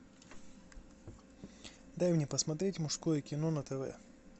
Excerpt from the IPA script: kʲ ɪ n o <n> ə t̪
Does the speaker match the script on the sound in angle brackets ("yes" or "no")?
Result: yes